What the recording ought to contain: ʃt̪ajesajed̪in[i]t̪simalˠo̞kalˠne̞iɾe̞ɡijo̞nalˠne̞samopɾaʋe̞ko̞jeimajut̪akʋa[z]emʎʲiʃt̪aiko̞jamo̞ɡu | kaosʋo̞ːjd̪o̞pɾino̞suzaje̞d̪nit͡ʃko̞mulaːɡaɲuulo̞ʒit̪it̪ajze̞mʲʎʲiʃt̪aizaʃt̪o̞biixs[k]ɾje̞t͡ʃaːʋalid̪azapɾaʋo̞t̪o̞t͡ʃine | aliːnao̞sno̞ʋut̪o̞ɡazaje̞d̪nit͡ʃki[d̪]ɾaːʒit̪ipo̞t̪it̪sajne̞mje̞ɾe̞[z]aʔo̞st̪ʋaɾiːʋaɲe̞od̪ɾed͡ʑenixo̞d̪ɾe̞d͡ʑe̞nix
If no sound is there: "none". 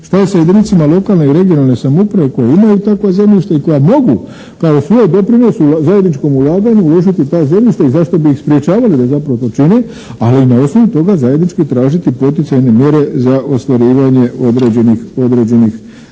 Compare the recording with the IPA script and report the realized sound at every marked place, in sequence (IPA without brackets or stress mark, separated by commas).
i, z, p, t̪, z